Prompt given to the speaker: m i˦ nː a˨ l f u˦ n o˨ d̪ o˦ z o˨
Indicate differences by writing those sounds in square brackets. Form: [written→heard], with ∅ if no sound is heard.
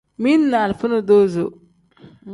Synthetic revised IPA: m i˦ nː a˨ l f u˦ n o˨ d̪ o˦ z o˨